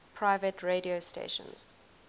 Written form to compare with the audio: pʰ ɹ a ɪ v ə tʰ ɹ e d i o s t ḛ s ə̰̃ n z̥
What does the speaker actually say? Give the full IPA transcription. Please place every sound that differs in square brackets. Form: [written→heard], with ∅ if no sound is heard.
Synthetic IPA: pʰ ɹ a ɪ v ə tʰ ɹ e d i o s t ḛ [s→ʃ] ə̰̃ n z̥